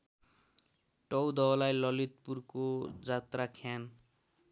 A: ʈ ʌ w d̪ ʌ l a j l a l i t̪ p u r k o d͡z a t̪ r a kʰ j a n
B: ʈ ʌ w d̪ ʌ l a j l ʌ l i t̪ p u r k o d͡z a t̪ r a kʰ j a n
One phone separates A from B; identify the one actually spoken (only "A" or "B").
B